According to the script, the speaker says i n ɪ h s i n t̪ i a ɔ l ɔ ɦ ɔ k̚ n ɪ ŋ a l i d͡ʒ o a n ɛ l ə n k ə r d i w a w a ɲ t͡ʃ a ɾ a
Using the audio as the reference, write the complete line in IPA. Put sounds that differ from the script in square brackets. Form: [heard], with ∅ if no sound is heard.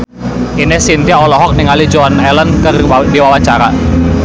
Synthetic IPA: i n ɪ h s i n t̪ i a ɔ l ɔ ɦ ɔ k̚ n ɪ ŋ a l i d͡ʒ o a n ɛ l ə n k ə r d i w a w a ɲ t͡ʃ a ɾ a